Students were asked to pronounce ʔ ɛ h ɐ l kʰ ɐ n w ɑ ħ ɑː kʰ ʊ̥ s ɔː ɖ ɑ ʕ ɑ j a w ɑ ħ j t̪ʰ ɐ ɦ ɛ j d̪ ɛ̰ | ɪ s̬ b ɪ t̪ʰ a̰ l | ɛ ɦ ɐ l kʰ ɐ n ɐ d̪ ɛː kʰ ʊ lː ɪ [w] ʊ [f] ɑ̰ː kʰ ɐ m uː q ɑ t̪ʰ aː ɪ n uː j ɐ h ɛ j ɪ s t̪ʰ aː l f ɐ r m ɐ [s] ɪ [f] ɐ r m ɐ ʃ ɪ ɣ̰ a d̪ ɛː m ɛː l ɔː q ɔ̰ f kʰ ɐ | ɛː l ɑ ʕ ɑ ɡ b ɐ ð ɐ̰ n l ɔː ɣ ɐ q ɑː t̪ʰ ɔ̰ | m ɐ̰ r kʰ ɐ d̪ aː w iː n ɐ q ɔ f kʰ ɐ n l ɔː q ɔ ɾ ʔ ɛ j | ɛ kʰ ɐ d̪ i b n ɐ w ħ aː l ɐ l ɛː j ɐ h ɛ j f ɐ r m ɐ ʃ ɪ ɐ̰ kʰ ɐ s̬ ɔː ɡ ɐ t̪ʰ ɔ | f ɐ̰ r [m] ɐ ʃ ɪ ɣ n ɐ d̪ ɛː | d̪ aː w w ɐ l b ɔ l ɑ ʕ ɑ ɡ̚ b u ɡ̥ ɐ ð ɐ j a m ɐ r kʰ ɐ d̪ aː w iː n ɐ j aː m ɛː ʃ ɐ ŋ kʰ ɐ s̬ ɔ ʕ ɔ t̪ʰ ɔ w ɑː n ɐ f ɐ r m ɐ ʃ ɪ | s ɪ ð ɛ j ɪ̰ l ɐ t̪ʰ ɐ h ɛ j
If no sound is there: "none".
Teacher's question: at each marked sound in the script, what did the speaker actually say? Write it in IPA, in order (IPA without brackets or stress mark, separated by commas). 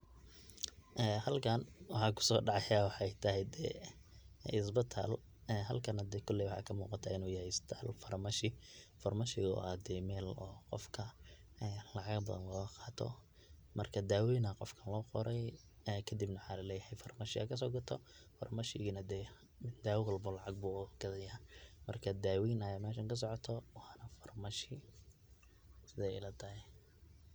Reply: w, ħ, ʃ, f, m